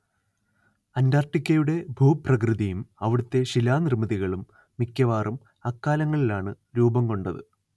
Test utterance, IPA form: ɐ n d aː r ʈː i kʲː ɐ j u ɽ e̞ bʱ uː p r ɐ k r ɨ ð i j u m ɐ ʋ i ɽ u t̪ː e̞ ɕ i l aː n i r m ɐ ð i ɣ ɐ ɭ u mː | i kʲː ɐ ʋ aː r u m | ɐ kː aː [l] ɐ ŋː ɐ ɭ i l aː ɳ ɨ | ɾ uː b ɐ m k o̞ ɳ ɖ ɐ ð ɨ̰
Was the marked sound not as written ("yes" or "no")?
no